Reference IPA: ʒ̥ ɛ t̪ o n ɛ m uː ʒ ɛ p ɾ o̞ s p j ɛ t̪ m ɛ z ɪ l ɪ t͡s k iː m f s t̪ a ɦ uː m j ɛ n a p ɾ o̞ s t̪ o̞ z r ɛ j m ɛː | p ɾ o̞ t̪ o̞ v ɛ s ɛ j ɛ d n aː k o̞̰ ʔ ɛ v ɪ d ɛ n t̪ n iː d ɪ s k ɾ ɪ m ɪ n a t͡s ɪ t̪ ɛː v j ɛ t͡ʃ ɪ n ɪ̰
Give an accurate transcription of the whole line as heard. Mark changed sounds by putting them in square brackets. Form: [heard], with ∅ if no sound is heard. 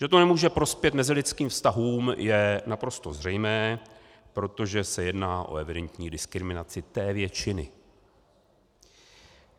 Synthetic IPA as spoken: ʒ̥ ɛ t̪ o n ɛ m uː ʒ ɛ p ɾ o̞ s p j ɛ t̪ m ɛ z ɪ l ɪ t͡s k iː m f s t̪ a ɦ uː m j ɛ n a p ɾ o̞ s t̪ o̞ z r ɛ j m ɛː | p ɾ o̞ t̪ o̞ [ʒ] ɛ s ɛ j ɛ d n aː [ʔ] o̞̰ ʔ ɛ v ɪ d ɛ n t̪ [ɲ] iː d ɪ s k ɾ ɪ m ɪ n a t͡s ɪ t̪ ɛː v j ɛ t͡ʃ ɪ n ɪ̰